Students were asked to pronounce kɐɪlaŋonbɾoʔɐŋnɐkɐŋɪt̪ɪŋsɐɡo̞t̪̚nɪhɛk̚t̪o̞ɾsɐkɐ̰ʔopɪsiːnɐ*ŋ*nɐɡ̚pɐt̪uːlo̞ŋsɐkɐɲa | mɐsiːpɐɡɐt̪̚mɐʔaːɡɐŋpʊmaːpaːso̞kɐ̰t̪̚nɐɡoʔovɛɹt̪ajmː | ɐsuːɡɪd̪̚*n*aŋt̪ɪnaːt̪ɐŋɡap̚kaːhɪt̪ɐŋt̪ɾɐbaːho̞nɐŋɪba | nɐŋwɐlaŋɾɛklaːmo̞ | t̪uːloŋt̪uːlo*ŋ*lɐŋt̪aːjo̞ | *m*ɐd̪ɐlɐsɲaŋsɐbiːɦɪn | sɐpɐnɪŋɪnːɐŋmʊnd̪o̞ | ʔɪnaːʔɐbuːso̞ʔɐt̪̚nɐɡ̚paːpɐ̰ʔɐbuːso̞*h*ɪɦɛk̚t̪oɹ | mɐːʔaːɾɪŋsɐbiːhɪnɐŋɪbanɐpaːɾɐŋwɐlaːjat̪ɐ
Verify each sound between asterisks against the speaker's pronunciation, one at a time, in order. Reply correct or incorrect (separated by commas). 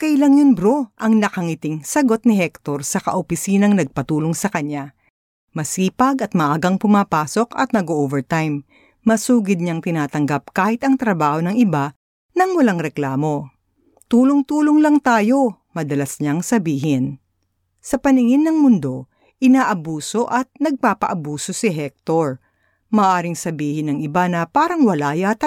correct, incorrect, correct, correct, incorrect